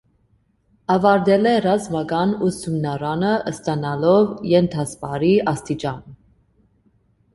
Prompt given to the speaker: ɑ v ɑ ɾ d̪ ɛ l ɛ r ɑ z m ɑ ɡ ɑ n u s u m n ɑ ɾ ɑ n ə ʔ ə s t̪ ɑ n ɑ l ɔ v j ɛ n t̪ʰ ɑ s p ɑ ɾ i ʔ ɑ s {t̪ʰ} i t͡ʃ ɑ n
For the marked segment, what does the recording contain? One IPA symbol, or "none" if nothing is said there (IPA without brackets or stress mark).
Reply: t̪